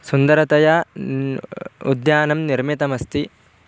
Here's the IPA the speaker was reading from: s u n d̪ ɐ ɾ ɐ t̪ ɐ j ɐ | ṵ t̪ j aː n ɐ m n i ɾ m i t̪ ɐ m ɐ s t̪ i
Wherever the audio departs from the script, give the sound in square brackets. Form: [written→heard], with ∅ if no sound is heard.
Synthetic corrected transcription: s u n d̪ ɐ ɾ ɐ t̪ ɐ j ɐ | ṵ [t̪→d̪] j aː n ɐ m n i ɾ m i t̪ ɐ m ɐ s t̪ i